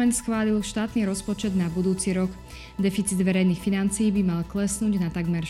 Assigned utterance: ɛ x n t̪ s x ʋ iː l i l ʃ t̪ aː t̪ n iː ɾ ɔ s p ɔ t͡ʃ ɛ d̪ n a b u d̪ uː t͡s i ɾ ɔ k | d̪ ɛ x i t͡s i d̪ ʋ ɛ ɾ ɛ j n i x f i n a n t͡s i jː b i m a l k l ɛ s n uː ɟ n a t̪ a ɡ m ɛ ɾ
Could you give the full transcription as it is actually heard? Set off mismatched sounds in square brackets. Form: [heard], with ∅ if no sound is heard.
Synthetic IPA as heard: ɛ [∅] n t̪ s x ʋ [aː] l i l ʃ t̪ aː t̪ n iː ɾ ɔ s p ɔ t͡ʃ ɛ d̪ n a b u d̪ uː t͡s i ɾ ɔ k | d̪ ɛ [f] i t͡s i d̪ ʋ ɛ ɾ ɛ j n i x f i n a n t͡s i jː b i m a l k l ɛ s n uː ɟ n a t̪ a ɡ m ɛ ɾ